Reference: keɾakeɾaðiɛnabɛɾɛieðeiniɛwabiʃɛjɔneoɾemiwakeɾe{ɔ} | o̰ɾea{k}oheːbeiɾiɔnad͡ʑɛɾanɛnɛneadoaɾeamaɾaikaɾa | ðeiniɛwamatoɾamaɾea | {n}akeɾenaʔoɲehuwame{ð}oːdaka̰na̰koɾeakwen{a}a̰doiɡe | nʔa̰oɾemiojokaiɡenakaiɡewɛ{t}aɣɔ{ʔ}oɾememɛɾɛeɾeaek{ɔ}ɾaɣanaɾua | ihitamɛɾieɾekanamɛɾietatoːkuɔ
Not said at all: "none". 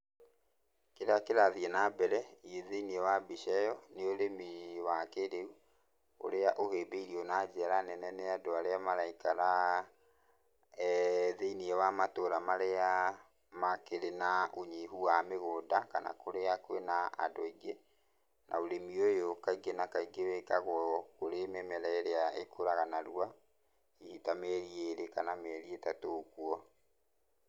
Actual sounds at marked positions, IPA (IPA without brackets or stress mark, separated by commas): u, ʔ, m, ɣ, a, k, k, o